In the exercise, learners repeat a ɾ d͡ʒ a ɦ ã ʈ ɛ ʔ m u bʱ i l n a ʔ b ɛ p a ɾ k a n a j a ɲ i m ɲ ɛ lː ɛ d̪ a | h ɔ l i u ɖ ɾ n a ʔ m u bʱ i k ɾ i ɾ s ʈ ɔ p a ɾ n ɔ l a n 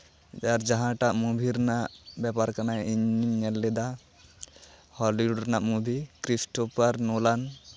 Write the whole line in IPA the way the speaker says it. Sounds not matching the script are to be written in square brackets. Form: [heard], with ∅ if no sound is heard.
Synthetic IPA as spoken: a ɾ d͡ʒ a ɦ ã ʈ [a] ʔ m u bʱ i [ɾ] n a ʔ b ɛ p a ɾ k a n a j [i] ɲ i m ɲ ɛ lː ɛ d̪ a | h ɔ l i u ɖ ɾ n a ʔ m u bʱ i k ɾ i [∅] s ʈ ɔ p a ɾ n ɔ l a n